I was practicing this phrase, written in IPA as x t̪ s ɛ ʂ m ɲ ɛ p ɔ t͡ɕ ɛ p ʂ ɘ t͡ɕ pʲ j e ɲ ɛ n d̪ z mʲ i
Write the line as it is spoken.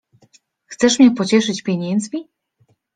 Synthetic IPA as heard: x t̪ s ɛ ʂ m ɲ ɛ p ɔ t͡ɕ ɛ ʂ ɘ t͡ɕ pʲ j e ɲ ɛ n d̪ z mʲ i